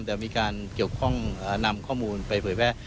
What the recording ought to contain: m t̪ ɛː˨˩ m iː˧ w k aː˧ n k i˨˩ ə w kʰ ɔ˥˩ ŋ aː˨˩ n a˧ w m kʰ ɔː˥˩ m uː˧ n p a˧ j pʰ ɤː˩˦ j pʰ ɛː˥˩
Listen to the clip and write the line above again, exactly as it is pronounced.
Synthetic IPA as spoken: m t̪ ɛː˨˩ m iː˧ k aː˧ n k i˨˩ ə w kʰ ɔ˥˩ ŋ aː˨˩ n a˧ m kʰ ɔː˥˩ m uː˧ n p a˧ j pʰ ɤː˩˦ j pʰ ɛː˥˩